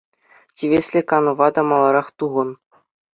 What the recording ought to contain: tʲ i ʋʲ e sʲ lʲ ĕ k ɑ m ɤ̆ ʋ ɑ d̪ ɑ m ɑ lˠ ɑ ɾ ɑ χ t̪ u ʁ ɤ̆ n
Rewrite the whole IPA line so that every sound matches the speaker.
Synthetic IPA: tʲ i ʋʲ e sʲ lʲ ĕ k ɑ n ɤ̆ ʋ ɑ d̪ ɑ m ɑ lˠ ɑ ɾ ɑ χ t̪ u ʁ ɤ̆ n